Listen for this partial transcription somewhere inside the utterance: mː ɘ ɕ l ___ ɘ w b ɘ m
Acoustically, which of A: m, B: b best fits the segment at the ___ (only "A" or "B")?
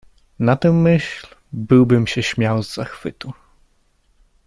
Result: B